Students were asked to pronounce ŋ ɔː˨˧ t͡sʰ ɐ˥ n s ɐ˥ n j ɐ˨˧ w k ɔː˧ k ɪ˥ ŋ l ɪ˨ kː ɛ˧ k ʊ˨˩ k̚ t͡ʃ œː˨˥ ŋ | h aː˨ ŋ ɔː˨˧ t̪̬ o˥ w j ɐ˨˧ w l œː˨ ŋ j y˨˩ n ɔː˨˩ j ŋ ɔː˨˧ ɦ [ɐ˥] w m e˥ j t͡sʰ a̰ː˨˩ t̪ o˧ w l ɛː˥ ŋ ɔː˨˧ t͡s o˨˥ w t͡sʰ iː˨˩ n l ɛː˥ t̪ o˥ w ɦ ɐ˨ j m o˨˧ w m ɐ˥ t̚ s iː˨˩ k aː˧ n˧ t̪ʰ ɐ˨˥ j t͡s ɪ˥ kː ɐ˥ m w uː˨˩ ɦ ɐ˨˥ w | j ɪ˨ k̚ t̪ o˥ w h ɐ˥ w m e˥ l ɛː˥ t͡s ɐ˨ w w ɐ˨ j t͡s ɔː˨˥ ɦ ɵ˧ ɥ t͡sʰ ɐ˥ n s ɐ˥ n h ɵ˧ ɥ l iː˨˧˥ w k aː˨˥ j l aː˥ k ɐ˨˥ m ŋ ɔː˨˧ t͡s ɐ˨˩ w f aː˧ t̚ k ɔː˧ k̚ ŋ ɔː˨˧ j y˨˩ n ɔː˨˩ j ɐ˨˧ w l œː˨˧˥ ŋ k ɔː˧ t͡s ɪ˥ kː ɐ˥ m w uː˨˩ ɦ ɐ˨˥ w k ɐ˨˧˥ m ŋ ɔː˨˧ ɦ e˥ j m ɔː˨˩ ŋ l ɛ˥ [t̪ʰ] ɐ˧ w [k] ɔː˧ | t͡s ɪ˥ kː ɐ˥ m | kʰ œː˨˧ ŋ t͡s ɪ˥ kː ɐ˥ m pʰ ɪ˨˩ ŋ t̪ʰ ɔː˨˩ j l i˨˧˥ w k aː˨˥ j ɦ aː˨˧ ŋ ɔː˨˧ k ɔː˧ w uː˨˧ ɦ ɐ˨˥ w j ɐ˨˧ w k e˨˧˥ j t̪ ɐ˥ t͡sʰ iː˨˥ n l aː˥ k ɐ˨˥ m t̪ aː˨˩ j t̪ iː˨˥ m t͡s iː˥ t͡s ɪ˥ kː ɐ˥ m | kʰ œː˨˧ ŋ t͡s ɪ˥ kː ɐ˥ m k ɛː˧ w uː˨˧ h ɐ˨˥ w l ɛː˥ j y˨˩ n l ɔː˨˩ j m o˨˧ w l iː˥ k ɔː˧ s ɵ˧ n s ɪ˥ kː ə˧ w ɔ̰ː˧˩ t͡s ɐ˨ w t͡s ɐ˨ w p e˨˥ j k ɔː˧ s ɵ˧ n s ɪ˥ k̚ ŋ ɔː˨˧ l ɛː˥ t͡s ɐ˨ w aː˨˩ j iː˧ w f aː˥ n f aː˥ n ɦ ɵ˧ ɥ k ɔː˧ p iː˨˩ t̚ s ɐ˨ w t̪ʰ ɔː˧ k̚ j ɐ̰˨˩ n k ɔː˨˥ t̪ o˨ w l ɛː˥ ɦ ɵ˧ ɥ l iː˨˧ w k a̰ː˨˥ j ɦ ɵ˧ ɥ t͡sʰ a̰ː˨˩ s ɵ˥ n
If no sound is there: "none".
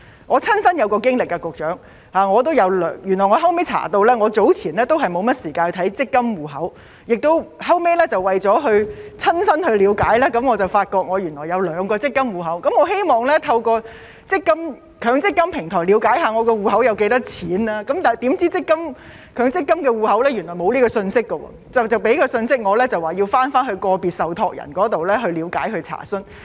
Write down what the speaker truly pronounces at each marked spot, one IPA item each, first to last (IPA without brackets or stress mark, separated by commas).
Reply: ɐ˥, t̪ʰ, k